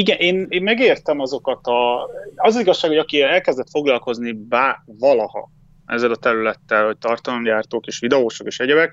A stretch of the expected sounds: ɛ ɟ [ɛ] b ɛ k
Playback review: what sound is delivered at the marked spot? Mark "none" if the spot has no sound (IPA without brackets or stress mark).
ɛ